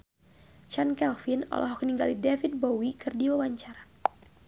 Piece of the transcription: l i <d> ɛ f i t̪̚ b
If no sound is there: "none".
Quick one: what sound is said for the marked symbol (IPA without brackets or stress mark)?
d